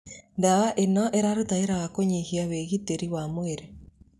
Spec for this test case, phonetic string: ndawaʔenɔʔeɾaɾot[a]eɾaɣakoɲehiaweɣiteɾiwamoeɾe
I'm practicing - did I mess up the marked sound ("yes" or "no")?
no